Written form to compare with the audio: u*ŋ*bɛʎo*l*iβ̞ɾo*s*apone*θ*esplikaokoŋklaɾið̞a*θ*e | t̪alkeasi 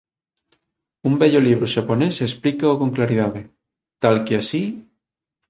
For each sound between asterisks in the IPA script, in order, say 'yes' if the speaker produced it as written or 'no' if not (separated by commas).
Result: no, yes, no, no, no